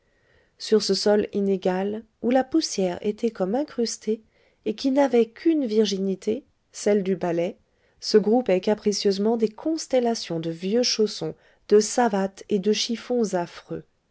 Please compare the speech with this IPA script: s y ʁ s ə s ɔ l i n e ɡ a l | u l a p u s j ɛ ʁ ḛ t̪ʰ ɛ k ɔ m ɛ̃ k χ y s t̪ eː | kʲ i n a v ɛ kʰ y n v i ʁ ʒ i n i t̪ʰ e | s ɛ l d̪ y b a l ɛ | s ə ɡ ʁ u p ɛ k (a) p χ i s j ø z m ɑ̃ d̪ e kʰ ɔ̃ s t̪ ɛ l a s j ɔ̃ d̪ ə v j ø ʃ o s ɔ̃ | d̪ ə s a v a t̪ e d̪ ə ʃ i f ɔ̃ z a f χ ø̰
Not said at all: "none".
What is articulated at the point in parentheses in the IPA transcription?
a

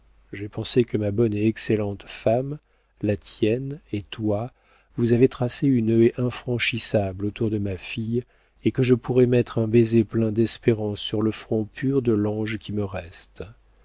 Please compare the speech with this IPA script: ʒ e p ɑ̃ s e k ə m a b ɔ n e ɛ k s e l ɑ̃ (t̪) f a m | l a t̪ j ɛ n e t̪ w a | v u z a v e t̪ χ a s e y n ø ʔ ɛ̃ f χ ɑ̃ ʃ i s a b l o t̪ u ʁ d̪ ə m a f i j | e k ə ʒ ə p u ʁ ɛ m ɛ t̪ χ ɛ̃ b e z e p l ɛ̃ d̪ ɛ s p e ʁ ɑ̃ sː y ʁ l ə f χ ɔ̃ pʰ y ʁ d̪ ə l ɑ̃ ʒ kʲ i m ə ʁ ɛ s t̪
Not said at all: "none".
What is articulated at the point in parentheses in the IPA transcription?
t̪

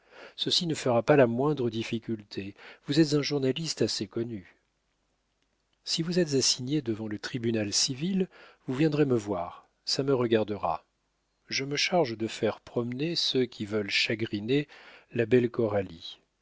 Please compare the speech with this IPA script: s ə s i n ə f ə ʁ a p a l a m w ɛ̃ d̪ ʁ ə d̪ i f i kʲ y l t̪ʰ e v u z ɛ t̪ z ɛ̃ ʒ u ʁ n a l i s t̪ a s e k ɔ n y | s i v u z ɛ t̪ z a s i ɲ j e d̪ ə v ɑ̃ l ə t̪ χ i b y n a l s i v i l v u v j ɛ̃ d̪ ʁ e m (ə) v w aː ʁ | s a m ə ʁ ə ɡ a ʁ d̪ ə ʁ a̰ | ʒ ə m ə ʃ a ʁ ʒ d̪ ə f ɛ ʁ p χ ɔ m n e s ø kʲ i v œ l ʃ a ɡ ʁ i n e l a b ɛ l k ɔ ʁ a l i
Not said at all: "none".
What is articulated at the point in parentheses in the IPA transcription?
ə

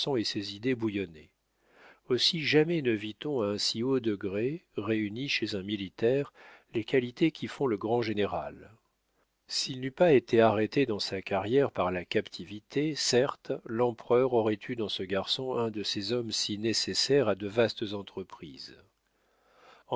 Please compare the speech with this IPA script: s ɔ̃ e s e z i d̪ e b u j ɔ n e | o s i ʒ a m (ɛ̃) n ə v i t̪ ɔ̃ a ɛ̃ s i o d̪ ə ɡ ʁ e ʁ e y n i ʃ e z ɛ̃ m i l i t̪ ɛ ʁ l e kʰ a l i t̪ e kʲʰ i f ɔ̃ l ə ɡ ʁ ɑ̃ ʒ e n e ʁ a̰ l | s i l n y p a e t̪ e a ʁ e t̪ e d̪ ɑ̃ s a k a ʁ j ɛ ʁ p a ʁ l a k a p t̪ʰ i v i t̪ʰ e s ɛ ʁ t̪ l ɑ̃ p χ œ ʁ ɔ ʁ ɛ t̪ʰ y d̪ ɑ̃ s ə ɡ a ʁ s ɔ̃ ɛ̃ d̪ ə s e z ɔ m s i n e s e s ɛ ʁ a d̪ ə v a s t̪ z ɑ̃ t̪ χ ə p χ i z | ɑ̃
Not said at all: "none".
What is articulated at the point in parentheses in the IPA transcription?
ɛ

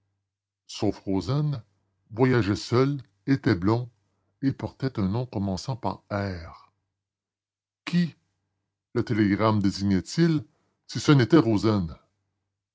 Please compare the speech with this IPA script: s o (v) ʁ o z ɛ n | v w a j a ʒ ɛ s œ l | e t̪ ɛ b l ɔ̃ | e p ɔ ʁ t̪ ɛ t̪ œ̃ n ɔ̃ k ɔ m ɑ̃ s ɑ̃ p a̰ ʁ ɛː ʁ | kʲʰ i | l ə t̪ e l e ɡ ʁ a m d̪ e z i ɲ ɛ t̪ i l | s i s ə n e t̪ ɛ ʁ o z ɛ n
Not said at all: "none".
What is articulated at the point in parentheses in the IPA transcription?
f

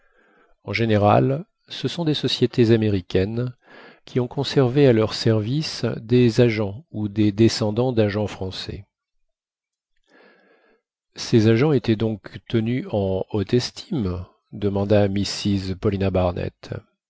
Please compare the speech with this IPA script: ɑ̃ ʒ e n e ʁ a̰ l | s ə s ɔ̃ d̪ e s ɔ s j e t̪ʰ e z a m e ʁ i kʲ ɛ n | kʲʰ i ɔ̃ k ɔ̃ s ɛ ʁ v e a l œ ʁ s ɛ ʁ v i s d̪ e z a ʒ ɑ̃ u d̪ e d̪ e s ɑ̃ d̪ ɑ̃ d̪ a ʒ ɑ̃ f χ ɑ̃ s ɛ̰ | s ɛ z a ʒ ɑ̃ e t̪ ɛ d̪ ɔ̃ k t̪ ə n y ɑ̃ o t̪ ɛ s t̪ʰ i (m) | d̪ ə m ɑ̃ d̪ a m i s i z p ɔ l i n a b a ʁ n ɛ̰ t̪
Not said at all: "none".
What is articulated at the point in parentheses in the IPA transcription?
m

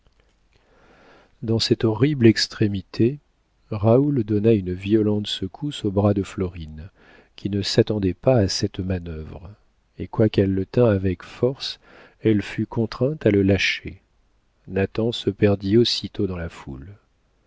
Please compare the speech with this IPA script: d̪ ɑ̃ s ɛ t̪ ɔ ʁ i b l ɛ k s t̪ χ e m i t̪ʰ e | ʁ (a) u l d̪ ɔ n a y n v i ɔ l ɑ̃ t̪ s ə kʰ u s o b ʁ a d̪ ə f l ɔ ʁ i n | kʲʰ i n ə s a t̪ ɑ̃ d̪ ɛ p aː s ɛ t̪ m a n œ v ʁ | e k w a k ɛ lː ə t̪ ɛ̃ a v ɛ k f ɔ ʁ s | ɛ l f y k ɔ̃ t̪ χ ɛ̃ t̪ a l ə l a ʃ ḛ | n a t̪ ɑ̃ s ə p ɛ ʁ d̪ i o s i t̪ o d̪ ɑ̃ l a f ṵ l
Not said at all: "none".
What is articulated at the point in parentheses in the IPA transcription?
a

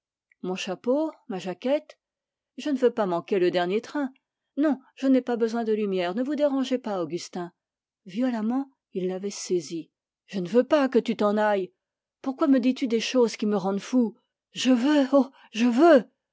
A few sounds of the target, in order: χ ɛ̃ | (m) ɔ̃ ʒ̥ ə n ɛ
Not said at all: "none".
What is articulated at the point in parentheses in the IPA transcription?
n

